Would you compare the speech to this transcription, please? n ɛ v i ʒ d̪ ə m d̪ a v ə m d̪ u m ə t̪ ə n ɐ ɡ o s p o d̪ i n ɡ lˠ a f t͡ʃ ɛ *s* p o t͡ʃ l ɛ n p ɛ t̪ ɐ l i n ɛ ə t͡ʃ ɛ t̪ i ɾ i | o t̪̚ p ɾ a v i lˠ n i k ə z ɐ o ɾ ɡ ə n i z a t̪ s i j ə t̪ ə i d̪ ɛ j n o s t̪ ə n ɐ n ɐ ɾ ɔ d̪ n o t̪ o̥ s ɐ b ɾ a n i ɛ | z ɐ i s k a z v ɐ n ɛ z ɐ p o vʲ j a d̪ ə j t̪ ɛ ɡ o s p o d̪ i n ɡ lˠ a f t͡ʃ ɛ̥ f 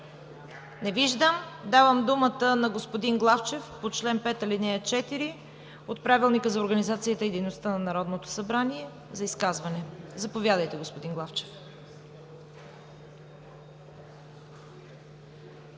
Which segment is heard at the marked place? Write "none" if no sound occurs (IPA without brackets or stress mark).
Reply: f